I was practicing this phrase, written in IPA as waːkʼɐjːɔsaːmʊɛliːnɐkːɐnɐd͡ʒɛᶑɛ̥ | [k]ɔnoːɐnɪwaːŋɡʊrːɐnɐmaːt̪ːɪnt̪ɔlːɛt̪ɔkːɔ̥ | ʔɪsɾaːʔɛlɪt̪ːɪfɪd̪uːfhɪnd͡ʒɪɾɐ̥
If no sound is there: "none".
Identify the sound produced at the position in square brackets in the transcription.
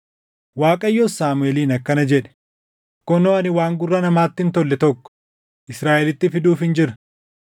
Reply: k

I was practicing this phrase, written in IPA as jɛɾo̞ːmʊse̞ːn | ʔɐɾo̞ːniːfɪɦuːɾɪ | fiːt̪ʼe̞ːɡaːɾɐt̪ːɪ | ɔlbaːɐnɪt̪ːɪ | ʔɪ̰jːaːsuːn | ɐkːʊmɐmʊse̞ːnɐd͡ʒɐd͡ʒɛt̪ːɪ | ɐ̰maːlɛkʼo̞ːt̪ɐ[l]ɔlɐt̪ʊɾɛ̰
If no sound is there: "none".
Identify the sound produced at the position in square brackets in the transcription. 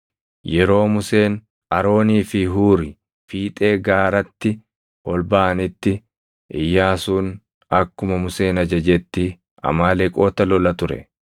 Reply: l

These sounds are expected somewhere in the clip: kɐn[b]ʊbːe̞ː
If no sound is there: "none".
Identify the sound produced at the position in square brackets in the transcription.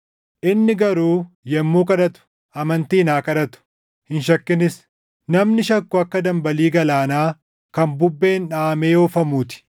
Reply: b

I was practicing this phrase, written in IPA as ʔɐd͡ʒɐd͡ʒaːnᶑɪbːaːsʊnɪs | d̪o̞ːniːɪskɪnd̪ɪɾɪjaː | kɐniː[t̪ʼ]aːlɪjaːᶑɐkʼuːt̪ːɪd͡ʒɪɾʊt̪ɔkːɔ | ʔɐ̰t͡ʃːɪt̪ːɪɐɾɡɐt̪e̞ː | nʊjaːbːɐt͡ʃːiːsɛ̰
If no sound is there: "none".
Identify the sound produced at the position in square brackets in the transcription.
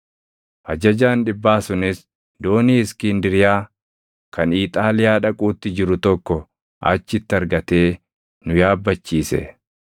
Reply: t̪ʼ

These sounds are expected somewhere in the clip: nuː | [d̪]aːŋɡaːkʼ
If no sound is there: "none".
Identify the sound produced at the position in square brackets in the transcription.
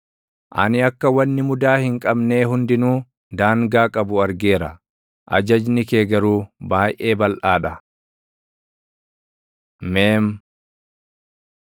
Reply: d̪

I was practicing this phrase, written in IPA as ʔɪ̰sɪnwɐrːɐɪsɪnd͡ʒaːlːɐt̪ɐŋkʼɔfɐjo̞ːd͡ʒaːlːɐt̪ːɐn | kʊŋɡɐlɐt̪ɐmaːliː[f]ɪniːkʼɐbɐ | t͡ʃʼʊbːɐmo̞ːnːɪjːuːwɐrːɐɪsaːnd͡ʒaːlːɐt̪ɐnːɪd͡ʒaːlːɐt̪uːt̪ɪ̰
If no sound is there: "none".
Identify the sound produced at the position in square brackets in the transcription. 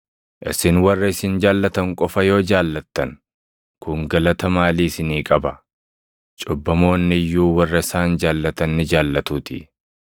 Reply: s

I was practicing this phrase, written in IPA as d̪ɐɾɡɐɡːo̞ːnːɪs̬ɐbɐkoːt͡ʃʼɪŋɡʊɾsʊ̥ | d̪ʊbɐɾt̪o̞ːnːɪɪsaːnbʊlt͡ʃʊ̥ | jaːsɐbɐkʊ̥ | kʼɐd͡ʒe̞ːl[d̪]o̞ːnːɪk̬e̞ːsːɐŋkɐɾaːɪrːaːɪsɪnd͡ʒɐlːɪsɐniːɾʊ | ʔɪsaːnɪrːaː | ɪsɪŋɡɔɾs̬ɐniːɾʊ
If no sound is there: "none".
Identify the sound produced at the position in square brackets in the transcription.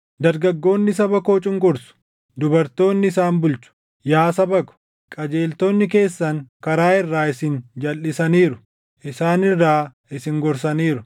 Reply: t̪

